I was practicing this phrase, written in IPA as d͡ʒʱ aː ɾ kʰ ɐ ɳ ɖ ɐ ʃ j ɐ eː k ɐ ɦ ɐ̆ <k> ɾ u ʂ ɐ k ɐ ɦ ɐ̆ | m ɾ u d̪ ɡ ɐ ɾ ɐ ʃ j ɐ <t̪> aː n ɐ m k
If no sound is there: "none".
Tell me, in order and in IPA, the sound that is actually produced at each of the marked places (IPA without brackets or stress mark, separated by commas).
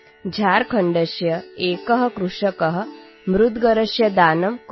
k, d̪